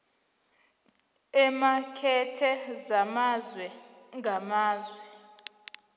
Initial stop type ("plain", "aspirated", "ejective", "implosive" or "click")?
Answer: aspirated